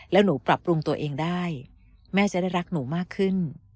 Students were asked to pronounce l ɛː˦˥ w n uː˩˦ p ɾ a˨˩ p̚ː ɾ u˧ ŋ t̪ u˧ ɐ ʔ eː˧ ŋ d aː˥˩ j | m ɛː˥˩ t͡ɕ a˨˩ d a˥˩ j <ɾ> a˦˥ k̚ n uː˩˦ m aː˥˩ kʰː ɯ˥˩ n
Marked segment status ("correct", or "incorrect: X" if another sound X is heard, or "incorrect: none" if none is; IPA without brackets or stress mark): correct